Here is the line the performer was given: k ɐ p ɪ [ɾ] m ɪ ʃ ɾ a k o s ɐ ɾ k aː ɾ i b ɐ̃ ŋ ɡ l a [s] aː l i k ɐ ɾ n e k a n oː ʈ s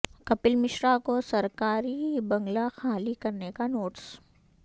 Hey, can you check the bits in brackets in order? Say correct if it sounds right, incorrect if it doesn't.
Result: incorrect: l, incorrect: x

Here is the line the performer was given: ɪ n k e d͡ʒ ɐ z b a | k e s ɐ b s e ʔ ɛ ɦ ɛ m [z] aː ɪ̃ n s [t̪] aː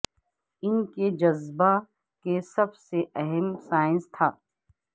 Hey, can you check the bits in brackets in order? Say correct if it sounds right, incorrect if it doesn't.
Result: incorrect: s, incorrect: t̪ʰ

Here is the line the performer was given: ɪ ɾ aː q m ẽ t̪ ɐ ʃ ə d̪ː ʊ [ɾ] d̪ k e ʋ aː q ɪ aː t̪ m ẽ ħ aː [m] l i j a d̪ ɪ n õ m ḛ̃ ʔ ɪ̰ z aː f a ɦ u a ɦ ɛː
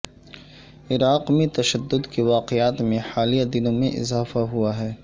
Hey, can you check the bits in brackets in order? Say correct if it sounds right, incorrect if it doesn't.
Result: incorrect: none, incorrect: none

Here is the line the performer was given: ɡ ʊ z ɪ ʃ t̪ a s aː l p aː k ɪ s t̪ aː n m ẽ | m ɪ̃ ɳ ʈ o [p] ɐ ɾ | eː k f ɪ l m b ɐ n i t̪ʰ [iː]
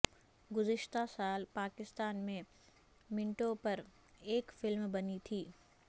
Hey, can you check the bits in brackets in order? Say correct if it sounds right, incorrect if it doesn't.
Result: correct, correct

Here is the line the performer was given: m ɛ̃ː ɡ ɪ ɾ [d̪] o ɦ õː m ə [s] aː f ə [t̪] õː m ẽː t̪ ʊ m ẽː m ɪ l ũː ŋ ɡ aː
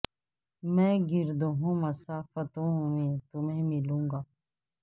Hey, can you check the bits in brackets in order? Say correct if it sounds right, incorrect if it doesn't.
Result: correct, correct, correct

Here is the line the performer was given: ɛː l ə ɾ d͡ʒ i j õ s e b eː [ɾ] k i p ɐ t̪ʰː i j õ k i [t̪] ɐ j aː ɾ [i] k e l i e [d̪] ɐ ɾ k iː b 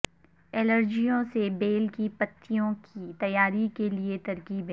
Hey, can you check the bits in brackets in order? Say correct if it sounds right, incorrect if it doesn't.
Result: incorrect: l, correct, correct, incorrect: t̪

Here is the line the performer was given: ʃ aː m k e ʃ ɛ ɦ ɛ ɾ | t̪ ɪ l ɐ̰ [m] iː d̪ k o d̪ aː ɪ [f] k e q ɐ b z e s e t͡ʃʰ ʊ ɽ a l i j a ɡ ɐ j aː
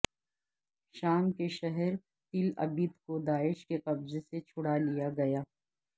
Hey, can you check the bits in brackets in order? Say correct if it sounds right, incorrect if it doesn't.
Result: incorrect: b, incorrect: ʃ

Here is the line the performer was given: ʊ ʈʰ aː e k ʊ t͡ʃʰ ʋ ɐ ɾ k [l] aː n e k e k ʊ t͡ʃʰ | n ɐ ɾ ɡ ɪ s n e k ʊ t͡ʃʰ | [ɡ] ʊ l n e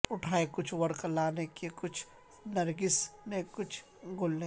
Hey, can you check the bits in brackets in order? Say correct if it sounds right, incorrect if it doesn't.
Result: correct, correct

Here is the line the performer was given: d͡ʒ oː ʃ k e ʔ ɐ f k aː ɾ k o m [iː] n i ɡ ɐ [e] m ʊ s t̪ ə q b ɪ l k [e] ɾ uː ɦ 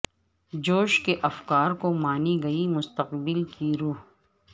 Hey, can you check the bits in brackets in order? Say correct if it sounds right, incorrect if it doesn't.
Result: incorrect: aː, incorrect: i, incorrect: i

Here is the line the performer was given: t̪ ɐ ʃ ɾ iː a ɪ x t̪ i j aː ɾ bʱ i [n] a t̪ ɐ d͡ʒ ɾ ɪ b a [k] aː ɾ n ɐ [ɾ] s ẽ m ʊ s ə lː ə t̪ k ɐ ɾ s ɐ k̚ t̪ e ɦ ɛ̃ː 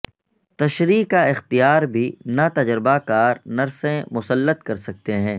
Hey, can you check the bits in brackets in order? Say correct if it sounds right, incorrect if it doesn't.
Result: correct, correct, correct

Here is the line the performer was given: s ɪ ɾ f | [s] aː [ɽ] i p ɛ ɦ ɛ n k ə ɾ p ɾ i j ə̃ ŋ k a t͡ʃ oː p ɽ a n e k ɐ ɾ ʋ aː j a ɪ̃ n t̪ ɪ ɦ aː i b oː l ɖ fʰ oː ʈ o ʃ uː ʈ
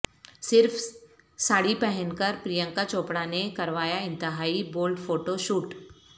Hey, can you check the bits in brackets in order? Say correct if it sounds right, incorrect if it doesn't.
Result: correct, correct

